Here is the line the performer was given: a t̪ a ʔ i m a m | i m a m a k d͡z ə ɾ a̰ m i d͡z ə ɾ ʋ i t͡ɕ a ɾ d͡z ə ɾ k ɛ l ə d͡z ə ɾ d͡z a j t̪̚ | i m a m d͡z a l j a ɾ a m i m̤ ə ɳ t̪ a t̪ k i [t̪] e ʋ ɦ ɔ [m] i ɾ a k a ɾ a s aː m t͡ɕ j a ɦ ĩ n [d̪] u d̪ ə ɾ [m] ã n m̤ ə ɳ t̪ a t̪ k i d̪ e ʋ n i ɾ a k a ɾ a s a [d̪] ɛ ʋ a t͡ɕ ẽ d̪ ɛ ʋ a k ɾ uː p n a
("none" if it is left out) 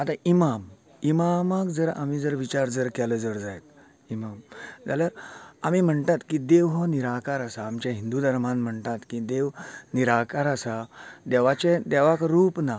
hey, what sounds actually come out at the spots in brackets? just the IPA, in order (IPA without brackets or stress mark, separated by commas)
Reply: d̪, n, d̪, m, d̪